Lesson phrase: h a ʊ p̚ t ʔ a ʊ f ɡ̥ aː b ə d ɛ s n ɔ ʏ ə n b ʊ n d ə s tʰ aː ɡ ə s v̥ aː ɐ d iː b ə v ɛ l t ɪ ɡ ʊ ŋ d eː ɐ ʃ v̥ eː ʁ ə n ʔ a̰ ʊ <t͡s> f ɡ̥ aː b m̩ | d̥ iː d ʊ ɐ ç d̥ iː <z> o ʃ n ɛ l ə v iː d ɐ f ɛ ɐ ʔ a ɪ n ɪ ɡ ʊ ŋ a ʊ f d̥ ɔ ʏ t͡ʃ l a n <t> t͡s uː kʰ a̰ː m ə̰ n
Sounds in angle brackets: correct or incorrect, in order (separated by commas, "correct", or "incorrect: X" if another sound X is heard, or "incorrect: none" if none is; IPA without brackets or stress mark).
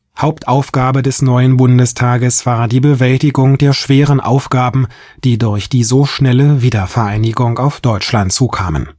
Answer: incorrect: none, correct, correct